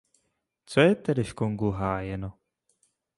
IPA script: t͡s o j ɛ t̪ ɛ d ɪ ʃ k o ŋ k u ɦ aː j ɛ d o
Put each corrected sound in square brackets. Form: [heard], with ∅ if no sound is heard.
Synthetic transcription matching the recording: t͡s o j ɛ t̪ ɛ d ɪ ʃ k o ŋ [ɡ] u ɦ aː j ɛ [n] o